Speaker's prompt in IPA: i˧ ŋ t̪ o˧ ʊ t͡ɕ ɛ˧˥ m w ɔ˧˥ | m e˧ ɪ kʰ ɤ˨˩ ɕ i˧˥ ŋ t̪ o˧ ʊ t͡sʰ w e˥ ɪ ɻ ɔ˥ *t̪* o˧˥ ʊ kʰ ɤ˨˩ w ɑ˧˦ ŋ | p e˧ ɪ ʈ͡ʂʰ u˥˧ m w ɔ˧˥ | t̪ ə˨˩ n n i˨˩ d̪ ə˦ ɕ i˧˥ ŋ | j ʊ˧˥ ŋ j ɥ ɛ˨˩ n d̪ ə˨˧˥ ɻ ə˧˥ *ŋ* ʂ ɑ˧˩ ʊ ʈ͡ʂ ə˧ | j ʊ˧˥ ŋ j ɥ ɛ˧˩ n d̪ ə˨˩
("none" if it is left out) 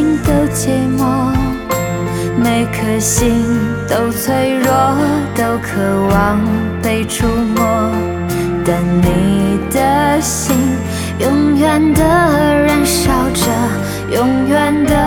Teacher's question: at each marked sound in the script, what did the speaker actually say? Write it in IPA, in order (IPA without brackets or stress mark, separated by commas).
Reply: t̪, n